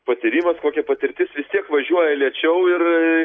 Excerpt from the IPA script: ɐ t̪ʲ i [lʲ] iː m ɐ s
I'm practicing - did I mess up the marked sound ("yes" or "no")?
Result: yes